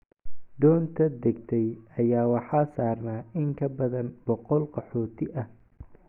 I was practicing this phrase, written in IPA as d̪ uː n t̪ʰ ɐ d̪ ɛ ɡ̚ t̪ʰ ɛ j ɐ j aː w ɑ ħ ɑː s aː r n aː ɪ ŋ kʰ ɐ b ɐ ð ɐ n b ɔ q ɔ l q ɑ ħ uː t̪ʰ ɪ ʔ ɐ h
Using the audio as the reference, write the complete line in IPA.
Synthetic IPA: d̪ ɔː n t̪ʰ ɐ d̪ ɛ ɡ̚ t̪ʰ ɛ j ɐ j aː w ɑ ħ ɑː s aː r n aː ɪ ŋ kʰ ɐ b ɐ ð ɐ n b ɔ q ɔ l q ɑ ħ ɔː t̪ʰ ɪ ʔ ɐ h